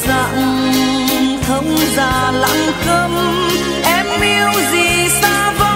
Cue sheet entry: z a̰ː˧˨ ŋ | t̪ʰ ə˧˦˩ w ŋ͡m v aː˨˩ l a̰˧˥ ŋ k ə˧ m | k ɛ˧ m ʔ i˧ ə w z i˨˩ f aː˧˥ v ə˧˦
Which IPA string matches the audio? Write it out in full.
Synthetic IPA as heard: z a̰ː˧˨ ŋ | t̪ʰ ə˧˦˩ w ŋ͡m z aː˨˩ l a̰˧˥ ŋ k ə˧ m | ʔ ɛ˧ m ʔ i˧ ə w z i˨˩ s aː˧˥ v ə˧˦